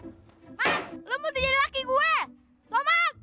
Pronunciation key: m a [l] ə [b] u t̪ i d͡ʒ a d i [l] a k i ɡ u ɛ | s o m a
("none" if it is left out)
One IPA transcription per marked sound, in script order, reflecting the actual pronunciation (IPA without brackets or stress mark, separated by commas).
l, m, l